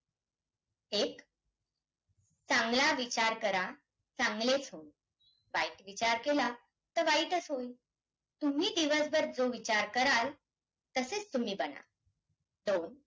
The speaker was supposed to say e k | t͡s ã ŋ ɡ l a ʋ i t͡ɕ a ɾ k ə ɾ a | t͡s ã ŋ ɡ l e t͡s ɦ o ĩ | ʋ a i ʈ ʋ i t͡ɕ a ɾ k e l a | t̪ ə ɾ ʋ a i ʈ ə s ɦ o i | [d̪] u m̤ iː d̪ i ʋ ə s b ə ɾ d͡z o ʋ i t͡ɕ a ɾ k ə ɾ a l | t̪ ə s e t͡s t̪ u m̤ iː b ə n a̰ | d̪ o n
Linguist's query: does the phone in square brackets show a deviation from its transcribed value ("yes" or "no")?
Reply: yes